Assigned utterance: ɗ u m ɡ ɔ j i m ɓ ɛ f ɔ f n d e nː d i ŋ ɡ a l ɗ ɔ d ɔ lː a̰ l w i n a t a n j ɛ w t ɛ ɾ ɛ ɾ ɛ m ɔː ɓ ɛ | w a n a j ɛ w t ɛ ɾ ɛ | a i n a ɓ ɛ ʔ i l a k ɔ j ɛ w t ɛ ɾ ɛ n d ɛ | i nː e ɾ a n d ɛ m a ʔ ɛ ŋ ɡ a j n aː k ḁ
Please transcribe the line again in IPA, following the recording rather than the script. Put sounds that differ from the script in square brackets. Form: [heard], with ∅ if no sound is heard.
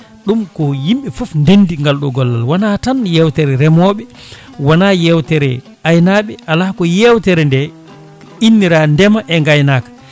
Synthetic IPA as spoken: ɗ u m [k] ɔ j i m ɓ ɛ f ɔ f n d e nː d i ŋ ɡ a l ɗ ɔ [ɡ] ɔ lː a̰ l w [a] n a t a n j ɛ w t ɛ ɾ ɛ ɾ ɛ m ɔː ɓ ɛ | w a n a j ɛ w t ɛ ɾ ɛ | a [j] n a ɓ ɛ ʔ [a] l a k ɔ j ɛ w t ɛ ɾ ɛ n d ɛ | i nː [i] ɾ a n d ɛ m a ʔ ɛ ŋ ɡ a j n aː k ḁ